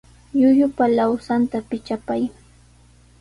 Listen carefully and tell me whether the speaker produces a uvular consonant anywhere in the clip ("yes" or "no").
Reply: no